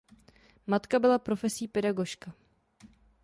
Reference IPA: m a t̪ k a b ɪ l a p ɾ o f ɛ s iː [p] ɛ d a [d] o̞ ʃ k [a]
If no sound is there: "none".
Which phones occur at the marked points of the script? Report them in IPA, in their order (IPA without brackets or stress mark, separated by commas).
p, ɡ, a